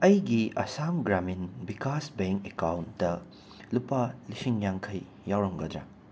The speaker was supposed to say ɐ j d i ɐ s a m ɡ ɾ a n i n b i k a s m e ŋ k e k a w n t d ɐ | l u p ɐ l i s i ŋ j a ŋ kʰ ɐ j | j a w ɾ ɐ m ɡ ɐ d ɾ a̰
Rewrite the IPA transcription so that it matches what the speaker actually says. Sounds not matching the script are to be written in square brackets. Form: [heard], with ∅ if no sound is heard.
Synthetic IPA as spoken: ɐ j [ɡ] i ɐ s a m ɡ ɾ a [m] i n b i k a s [b] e ŋ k e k a w n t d ɐ | l u p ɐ l i s i ŋ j a ŋ kʰ ɐ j | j a w ɾ ɐ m ɡ ɐ d ɾ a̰

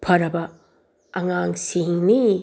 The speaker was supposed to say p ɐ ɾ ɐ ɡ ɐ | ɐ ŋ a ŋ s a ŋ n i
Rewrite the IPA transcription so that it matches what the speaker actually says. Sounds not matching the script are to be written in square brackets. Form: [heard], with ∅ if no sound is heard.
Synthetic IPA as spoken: [pʰ] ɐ ɾ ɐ [b] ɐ | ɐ ŋ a ŋ s [i] ŋ n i

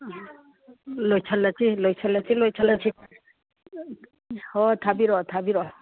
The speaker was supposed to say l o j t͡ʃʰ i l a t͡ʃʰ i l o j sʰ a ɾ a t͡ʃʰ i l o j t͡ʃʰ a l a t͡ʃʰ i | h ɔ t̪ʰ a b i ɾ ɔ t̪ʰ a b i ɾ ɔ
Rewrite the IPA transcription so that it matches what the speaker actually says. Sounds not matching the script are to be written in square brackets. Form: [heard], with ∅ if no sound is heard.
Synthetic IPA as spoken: l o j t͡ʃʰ [a] l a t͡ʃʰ i l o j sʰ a [l] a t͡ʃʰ i l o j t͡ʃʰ a l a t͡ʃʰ i | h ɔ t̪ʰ a b i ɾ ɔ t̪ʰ a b i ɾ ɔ

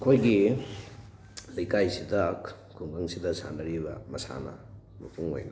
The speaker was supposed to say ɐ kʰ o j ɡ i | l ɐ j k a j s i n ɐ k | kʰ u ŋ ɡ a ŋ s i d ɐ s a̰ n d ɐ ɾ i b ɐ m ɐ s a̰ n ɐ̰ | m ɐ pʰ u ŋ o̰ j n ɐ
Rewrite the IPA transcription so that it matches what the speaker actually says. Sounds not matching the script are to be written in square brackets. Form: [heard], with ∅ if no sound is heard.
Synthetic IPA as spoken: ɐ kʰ o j ɡ i | l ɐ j k a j s i [d] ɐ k | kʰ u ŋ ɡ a ŋ s i d ɐ s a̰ n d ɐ ɾ i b ɐ m ɐ s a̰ n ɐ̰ | m ɐ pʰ u ŋ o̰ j n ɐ

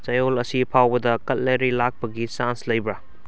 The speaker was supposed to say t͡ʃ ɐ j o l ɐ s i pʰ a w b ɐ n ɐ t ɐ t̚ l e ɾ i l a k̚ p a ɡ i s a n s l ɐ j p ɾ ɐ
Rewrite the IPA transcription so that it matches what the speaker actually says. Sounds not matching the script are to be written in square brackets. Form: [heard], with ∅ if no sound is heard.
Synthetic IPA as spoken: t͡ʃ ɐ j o l ɐ s i pʰ a w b ɐ [d] ɐ [k] ɐ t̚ l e ɾ i l a k̚ p [ɐ] ɡ i s a n s l ɐ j [b] ɾ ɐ

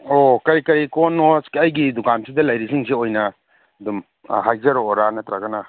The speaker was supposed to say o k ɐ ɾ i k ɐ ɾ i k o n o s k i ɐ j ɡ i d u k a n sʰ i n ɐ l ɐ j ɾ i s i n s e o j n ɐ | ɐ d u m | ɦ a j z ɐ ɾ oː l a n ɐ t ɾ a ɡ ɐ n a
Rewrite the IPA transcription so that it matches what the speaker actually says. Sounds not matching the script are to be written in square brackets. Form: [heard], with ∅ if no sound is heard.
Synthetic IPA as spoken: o k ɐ ɾ i k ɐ ɾ i k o n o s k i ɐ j ɡ i d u k a n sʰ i [d] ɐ l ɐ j ɾ i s i [ŋ] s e o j n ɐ | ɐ d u m | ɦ a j z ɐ ɾ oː [ɾ] a n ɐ t ɾ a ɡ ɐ n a

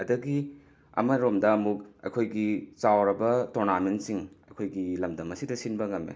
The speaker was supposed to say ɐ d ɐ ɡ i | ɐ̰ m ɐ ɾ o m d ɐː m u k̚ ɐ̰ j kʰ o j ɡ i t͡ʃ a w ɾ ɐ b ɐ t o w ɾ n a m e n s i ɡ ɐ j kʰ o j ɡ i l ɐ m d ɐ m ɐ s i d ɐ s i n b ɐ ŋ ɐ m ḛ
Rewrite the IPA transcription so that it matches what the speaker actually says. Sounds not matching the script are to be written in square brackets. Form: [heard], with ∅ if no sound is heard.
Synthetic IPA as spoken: ɐ d ɐ ɡ i | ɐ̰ m ɐ ɾ o m d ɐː m u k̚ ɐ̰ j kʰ o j ɡ i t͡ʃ a w ɾ ɐ b ɐ t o [∅] ɾ n a m e n s i [ŋ] ɐ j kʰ o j ɡ i l ɐ m d ɐ m ɐ s i d ɐ s i n b ɐ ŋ ɐ m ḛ

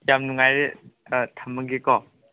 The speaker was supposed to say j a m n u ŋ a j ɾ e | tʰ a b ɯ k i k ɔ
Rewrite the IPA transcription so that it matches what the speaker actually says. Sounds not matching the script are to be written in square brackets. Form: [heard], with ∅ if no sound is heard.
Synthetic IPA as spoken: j a m n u ŋ a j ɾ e | tʰ a [m] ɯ [ɡ] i k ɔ

